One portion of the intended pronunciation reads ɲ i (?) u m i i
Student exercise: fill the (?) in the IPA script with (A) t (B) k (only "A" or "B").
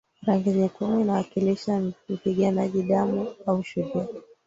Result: B